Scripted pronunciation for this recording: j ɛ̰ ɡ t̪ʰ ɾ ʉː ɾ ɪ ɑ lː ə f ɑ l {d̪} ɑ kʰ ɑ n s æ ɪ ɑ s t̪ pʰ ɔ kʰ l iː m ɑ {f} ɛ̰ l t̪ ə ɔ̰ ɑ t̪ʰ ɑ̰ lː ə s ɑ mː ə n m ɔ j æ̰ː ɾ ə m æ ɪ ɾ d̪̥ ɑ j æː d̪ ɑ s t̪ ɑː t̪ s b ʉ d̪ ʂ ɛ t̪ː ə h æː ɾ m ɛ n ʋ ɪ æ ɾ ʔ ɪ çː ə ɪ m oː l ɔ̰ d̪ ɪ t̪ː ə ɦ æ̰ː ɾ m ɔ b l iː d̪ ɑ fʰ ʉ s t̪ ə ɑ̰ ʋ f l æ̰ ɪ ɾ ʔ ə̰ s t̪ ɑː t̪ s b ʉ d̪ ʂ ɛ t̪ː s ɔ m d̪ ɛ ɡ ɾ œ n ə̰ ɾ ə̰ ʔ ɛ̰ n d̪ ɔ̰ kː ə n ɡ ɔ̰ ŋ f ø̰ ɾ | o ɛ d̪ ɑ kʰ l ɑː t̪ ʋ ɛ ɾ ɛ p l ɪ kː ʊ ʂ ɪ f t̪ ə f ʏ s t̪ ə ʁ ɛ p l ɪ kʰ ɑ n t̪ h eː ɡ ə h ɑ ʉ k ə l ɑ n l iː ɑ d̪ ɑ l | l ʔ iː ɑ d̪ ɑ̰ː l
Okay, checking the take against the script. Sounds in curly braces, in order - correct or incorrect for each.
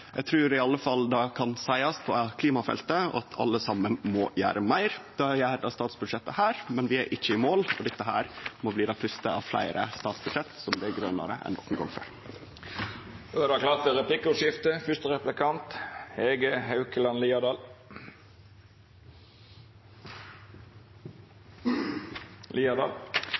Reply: correct, correct

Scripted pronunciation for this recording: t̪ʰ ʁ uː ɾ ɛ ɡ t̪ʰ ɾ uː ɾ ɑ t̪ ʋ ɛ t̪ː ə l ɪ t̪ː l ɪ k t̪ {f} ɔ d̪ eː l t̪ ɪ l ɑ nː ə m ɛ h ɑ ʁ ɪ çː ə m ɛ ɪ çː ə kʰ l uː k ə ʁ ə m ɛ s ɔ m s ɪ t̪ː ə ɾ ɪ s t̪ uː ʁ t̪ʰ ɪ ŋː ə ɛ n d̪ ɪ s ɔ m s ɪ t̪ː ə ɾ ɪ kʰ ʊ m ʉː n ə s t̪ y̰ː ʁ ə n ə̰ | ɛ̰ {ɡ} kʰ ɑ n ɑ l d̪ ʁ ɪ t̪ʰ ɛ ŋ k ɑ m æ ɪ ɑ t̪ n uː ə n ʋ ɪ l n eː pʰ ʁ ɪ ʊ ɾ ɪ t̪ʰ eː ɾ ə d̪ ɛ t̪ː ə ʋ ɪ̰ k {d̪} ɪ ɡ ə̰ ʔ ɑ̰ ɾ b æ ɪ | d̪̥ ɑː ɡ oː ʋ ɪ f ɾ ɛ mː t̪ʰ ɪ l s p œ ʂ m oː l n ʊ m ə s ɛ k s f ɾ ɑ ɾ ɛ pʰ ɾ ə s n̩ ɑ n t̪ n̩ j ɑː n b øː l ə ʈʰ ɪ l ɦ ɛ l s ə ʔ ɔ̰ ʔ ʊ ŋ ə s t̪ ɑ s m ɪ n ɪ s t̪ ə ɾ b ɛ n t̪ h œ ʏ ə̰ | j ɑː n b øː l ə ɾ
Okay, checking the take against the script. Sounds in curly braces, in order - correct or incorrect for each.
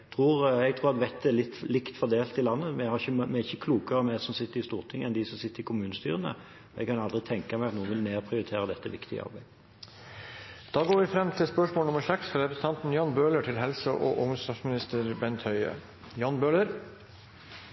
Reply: correct, correct, incorrect

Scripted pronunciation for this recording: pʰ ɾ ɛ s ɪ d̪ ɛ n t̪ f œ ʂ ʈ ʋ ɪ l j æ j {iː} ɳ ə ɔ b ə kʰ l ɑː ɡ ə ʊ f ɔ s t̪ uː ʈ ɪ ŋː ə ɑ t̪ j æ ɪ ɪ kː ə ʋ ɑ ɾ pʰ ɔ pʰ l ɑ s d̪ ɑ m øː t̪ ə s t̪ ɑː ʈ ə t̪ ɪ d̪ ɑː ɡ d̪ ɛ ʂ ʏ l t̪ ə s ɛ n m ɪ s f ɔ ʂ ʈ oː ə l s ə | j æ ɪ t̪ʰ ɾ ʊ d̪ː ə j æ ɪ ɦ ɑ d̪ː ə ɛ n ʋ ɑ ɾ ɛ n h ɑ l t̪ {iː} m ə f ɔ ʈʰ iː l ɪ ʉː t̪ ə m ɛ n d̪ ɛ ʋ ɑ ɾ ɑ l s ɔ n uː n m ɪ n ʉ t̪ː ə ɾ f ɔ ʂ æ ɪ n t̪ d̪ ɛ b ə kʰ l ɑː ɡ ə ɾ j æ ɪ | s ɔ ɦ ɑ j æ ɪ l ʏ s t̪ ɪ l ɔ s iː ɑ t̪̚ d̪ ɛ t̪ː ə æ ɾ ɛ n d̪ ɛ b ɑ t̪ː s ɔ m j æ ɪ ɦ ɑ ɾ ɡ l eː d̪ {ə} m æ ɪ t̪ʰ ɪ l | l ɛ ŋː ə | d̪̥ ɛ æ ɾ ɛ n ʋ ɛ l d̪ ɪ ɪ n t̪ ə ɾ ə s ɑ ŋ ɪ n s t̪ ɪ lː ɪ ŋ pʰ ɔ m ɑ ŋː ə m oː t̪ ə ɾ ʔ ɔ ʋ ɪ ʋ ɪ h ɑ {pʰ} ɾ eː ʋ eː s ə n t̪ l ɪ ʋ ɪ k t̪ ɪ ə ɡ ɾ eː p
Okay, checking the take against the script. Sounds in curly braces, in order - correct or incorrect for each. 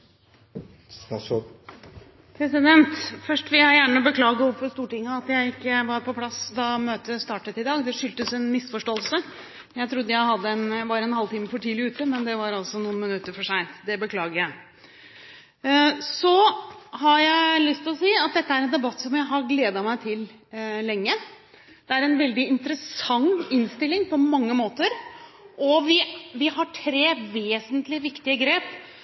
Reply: incorrect, correct, incorrect, incorrect

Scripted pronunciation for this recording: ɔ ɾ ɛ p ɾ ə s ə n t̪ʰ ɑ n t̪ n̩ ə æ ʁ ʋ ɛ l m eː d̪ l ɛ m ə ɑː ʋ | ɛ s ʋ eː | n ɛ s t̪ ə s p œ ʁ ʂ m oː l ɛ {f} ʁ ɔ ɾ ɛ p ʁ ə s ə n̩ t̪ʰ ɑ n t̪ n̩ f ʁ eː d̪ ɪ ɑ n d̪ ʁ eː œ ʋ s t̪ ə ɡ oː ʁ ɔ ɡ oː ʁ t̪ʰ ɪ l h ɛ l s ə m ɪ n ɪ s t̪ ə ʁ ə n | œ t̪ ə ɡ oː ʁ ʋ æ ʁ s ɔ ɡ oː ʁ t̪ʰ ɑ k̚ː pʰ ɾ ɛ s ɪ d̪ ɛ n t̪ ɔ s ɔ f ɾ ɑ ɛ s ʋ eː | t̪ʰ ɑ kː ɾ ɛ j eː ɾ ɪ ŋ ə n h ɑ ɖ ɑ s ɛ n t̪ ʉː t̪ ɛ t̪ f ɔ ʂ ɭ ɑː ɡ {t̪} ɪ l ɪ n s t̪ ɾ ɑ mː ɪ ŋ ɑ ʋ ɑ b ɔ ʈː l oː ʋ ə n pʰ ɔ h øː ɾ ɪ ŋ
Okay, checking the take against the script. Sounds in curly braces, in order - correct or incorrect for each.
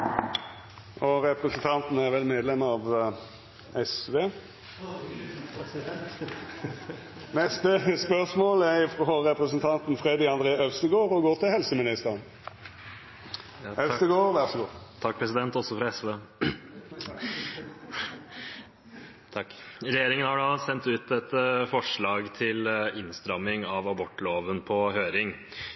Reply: correct, incorrect

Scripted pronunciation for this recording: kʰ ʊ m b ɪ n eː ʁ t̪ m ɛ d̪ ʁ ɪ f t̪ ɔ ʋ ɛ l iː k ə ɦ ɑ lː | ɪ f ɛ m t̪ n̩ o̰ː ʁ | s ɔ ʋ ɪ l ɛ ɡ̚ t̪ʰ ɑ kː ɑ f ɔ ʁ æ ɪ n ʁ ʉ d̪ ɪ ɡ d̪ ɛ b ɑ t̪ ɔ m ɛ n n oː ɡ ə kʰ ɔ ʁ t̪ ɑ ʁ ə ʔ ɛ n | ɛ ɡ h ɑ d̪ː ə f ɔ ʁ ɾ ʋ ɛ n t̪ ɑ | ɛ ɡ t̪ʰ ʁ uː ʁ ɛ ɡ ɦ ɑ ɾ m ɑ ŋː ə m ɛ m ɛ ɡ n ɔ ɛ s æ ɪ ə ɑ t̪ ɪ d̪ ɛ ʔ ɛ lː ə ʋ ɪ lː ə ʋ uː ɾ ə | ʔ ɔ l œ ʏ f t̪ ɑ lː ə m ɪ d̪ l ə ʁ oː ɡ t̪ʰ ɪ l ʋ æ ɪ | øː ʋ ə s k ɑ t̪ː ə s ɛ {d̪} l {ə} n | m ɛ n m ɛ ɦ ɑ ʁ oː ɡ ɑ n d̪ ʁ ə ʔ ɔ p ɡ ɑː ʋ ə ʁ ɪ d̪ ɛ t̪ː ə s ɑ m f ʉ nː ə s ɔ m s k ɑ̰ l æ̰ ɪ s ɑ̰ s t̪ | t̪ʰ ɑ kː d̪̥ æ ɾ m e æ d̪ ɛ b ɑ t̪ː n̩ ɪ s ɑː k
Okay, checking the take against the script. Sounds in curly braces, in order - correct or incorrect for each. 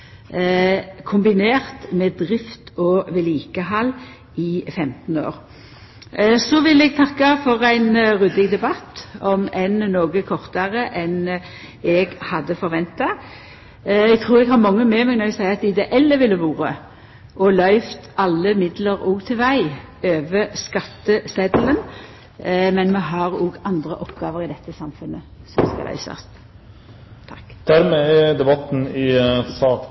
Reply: correct, correct

